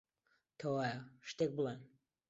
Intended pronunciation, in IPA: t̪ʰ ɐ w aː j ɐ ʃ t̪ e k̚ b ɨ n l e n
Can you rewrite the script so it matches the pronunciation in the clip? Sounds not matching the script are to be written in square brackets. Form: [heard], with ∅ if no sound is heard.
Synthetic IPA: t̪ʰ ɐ w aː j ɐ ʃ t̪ e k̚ b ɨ [∅] l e n